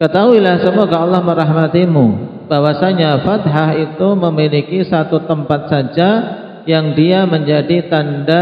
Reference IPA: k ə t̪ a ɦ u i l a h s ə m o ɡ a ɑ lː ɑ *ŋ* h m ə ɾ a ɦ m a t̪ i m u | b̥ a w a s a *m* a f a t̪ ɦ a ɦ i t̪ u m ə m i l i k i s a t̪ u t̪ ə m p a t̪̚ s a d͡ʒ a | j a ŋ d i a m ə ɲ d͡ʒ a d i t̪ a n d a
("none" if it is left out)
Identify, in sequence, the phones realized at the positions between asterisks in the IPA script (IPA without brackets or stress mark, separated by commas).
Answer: none, ɲ